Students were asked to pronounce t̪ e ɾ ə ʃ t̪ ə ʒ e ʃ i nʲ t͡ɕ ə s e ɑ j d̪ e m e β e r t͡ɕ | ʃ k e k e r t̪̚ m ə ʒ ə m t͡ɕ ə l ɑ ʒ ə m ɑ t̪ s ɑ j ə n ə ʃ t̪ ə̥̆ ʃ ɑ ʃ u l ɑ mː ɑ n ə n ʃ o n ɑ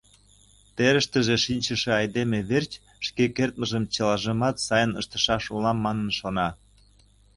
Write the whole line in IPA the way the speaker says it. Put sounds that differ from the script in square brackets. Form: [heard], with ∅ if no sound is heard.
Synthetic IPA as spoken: t̪ e ɾ ə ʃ t̪ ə ʒ e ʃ i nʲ t͡ɕ ə [ʃ] e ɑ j d̪ e m e β e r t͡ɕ | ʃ k e k e r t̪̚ m ə ʒ ə m t͡ɕ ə l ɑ ʒ ə m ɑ t̪ s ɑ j ə n ə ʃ t̪ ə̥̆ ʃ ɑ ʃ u l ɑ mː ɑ n ə n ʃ o n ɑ

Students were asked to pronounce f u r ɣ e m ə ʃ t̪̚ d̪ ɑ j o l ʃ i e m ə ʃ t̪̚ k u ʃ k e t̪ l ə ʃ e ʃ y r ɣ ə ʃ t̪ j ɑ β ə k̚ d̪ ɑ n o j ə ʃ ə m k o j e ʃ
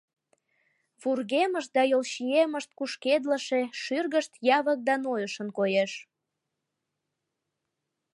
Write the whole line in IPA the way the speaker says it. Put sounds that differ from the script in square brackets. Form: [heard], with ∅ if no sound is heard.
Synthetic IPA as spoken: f u r ɣ e m ə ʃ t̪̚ d̪ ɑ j o l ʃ i e m ə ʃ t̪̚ k u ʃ k e [d̪] l ə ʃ e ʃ y r ɣ ə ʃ t̪ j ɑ β ə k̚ d̪ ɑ n o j ə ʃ ə [n] k o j e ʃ

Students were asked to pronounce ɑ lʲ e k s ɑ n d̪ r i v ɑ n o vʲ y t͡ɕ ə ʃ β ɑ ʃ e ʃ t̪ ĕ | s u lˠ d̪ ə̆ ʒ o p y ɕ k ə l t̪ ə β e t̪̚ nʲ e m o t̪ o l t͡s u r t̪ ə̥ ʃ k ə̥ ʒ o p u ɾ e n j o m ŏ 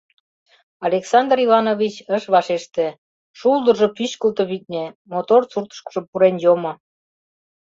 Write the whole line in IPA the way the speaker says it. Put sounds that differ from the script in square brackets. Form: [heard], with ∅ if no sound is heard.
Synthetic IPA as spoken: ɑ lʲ e k s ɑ n d̪ r i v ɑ n o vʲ [i] t͡ɕ ə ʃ β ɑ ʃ e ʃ t̪ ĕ | [ʃ] u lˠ d̪ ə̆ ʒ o p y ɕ k ə l t̪ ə β [i] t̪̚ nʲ e m o t̪ o [r] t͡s u r t̪ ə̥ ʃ k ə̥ ʒ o p u ɾ e n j o m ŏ

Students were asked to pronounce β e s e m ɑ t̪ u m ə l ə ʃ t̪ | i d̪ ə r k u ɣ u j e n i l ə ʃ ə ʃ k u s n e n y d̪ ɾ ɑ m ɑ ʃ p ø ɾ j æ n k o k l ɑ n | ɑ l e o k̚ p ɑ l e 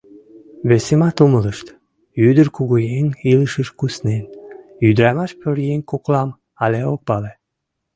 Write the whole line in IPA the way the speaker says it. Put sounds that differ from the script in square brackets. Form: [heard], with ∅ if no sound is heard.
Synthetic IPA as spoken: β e s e m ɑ t̪ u m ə l ə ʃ t̪ | [y] d̪ ə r k u ɣ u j e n i l ə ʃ ə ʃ k u s n e n y d̪ ɾ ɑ m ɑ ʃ p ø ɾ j [e] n k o k l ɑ [m] | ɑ l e o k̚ p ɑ l e

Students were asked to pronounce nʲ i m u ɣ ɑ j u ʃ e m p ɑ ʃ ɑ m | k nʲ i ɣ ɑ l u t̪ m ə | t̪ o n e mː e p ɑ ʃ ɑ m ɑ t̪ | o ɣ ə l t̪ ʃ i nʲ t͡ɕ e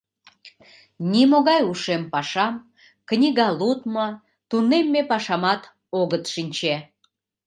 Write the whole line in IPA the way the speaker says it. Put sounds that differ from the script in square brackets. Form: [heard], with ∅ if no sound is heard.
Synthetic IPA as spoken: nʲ i m [o] ɣ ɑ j u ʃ e m p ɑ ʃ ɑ m | k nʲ i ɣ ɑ l u t̪ m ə | t̪ [u] n e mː e p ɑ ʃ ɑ m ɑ t̪ | o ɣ ə [∅] t̪ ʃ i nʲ t͡ɕ e

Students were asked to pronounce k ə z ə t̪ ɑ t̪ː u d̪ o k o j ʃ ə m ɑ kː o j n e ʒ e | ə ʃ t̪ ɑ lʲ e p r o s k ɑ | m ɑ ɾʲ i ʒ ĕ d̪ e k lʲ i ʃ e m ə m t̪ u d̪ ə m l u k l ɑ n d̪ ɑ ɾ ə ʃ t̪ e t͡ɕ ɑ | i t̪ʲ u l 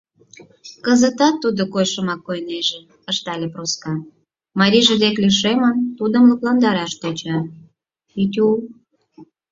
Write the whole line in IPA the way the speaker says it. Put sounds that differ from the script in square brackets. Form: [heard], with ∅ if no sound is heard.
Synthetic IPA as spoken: k ə z ə t̪ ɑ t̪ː u d̪ o k o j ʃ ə m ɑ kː o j n e ʒ e | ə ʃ t̪ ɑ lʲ e p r o s k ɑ | m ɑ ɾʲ i ʒ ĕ d̪ e k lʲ i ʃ e m ə [n] t̪ u d̪ ə m l u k l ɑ n d̪ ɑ ɾ [ɑ] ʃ t̪ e t͡ɕ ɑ | i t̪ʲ u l

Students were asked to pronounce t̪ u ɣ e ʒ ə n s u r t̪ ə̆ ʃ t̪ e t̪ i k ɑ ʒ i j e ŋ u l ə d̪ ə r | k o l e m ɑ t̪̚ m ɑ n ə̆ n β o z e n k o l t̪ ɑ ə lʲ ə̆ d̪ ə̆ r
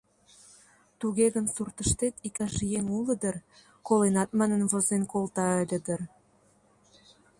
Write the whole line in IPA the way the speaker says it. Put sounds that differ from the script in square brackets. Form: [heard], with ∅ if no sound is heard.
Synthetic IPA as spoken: t̪ u ɣ e [ɣ] ə n s u r t̪ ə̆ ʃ t̪ e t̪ i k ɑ ʒ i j e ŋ u l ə d̪ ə r | k o l e [n] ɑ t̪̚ m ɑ n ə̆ n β o z e n k o l t̪ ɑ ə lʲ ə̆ d̪ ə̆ r

